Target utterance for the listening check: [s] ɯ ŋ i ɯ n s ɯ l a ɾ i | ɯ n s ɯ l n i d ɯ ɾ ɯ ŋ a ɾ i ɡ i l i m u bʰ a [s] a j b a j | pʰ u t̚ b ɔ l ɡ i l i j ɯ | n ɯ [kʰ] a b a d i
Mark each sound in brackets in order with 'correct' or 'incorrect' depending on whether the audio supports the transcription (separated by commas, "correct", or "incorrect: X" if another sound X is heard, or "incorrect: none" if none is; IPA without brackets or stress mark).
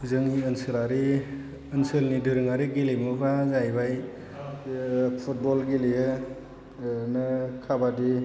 incorrect: z, incorrect: z, correct